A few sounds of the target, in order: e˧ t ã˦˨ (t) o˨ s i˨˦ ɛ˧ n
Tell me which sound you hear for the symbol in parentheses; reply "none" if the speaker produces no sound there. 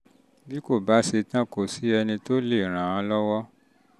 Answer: k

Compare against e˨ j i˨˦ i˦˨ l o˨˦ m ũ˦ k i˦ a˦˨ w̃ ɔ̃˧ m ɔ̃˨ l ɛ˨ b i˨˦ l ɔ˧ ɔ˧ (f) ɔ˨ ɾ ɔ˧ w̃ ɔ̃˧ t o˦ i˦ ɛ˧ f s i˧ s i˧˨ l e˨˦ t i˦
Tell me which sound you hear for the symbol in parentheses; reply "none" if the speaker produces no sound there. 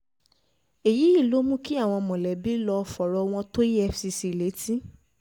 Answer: f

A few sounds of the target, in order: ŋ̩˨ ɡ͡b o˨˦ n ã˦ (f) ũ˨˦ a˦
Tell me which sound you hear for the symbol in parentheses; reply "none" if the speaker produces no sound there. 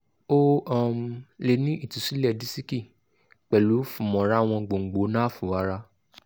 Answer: f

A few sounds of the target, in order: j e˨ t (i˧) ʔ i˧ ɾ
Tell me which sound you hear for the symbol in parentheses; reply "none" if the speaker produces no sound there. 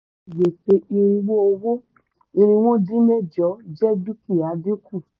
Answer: e˧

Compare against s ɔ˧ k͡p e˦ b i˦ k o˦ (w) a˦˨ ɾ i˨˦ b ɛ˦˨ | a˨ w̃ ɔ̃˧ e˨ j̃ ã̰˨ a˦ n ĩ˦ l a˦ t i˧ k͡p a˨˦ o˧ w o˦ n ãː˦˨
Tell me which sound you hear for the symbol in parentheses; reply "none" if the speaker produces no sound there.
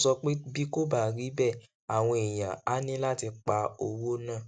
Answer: b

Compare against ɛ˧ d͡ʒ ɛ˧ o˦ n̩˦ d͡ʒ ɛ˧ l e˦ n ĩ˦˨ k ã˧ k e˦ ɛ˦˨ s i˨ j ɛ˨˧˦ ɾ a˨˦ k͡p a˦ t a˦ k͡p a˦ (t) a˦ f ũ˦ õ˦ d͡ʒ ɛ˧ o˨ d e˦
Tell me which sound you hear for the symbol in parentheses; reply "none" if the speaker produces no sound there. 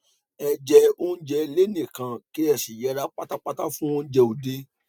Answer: t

